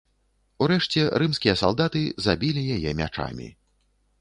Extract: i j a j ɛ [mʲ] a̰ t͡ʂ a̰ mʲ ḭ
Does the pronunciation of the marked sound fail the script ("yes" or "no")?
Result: no